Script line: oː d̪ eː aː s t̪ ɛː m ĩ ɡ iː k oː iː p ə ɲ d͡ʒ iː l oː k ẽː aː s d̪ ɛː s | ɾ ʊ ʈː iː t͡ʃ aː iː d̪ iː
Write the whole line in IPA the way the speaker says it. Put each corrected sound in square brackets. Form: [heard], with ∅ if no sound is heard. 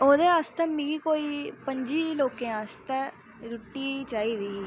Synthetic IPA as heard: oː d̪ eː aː s t̪ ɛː m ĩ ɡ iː k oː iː p ə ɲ d͡ʒ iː l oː k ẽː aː s [t̪] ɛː [∅] | ɾ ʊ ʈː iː t͡ʃ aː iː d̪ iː